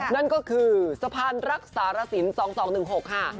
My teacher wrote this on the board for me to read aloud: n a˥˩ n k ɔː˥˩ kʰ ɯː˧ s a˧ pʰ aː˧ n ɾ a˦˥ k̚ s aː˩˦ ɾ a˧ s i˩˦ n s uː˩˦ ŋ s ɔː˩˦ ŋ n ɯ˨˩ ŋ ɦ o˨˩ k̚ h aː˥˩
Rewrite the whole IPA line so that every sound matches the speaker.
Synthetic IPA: n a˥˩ n k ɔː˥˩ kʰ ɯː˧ s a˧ pʰ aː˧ n ɾ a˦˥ k̚ s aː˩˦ ɾ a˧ s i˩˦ n s ɔː˩˦ ŋ s ɔː˩˦ ŋ n ɯ˨˩ ŋ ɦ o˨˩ k̚ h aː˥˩